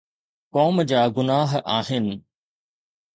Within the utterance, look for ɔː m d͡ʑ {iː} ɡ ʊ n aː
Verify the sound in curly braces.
incorrect: aː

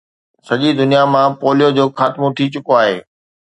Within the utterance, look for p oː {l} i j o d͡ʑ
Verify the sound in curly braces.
correct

